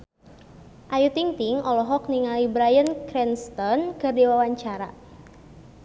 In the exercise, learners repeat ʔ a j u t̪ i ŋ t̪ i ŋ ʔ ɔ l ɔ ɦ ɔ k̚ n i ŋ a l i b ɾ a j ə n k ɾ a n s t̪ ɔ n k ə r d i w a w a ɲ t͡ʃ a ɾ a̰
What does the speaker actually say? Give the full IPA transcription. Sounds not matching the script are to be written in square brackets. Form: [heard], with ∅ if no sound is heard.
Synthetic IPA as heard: ʔ a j u t̪ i ŋ t̪ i ŋ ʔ ɔ l ɔ ɦ ɔ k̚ n i ŋ a l i b ɾ a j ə n k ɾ [ɛ] n s t̪ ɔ n k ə r d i w a w a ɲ t͡ʃ a ɾ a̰